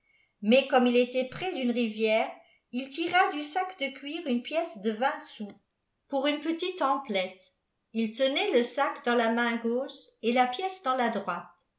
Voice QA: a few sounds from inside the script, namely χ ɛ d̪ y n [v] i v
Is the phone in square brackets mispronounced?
yes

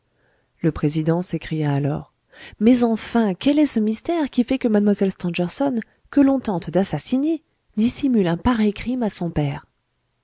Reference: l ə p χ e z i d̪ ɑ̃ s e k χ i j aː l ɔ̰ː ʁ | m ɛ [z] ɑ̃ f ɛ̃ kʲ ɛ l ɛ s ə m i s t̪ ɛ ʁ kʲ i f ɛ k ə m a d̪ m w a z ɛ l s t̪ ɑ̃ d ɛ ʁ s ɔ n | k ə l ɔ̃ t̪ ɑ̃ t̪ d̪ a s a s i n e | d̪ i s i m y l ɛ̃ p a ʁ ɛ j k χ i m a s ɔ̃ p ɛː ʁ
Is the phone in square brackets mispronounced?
no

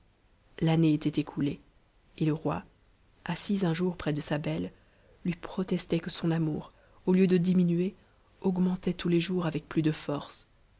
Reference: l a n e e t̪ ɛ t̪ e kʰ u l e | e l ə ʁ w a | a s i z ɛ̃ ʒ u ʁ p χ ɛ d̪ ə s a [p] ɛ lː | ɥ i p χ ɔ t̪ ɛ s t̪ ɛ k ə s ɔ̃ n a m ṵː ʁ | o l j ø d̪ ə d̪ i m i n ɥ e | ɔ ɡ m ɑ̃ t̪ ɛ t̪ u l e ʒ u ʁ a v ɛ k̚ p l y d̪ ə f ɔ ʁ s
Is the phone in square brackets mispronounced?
yes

